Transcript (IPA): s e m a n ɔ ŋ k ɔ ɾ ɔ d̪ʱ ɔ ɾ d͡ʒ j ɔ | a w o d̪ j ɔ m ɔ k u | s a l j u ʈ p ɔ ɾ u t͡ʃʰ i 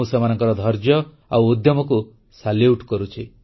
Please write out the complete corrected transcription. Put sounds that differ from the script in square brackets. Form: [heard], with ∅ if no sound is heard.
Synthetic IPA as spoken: s e m a n ɔ ŋ k ɔ ɾ ɔ d̪ʱ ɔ ɾ d͡ʒ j ɔ | a w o d̪ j ɔ m ɔ k u | s a l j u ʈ [k] ɔ ɾ u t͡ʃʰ i